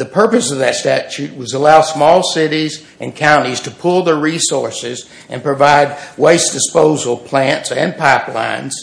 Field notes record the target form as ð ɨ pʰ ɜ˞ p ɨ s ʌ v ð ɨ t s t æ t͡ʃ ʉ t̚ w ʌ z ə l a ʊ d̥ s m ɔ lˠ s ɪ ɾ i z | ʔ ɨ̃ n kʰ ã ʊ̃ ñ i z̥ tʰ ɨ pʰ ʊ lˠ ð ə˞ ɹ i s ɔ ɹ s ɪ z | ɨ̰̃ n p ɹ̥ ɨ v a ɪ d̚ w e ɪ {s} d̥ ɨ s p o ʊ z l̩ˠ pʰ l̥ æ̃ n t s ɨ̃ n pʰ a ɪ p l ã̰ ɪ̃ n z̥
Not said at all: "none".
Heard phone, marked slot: s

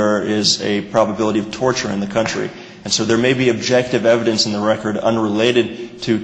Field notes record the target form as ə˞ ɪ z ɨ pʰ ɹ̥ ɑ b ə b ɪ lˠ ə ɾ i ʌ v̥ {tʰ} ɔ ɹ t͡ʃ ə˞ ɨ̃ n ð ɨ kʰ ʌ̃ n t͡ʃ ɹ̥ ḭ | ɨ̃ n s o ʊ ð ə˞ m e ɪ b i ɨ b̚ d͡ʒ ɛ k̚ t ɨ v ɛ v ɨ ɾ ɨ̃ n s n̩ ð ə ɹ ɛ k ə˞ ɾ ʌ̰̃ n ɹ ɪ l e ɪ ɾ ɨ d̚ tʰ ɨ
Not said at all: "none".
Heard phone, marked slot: tʰ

